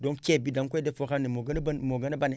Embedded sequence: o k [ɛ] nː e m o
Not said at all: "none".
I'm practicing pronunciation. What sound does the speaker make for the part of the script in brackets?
a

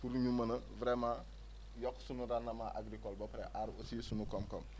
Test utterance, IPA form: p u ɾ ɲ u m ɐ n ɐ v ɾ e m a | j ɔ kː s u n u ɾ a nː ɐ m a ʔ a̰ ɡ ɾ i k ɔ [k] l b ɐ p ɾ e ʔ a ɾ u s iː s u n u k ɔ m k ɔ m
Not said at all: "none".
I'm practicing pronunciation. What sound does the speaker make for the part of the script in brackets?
none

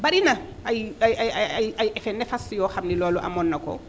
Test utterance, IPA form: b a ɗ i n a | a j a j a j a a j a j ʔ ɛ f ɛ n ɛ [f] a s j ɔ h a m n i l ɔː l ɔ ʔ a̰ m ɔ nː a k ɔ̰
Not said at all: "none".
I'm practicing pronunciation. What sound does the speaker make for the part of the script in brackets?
f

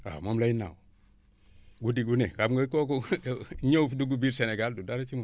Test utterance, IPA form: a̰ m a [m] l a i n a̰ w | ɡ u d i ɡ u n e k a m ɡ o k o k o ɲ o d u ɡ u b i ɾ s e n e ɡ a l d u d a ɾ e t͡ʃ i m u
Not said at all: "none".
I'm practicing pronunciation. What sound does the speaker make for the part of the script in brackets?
m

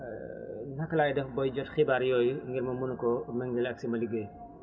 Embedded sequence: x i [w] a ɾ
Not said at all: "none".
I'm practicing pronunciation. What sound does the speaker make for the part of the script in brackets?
b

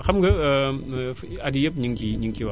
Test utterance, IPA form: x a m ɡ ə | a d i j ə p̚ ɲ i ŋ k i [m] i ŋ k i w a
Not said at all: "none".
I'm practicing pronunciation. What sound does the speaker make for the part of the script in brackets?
ɲ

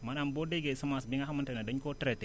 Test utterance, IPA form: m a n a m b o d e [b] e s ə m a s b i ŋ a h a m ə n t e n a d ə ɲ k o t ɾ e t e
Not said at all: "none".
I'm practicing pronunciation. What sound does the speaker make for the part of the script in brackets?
ɡ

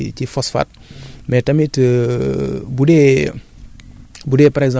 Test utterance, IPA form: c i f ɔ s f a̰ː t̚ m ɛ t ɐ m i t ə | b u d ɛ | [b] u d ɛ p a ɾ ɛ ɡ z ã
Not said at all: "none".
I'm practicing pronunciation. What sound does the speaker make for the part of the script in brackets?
b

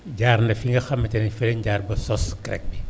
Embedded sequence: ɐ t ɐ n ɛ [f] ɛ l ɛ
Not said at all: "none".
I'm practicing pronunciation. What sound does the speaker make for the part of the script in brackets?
f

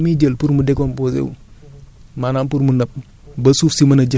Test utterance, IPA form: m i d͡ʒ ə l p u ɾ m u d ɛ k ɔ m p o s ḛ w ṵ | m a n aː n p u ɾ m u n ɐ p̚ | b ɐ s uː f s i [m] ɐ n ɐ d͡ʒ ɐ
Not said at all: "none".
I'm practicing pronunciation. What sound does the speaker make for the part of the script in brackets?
m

